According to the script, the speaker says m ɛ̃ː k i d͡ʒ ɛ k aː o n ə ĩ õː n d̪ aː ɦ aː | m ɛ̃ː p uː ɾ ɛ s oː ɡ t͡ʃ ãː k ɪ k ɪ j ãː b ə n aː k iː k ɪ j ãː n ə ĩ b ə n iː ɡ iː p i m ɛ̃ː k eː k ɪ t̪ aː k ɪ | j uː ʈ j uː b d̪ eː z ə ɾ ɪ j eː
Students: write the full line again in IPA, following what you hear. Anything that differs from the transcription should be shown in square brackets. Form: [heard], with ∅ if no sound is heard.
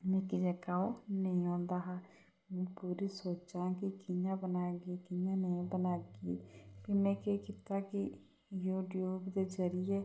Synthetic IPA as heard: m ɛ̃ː k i d͡ʒ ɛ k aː o n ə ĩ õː n d̪ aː ɦ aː | m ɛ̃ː p uː ɾ [i] s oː [∅] t͡ʃ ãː k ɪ k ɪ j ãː b ə n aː [ɡ] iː k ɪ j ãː n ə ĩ b ə n [aː] ɡ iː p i m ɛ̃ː k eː k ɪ t̪ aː k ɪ | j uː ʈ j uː b d̪ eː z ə ɾ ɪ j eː